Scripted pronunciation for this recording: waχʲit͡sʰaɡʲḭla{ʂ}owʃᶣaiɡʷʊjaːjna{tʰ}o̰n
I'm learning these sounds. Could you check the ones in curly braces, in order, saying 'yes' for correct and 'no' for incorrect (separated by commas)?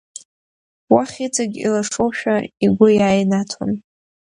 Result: yes, yes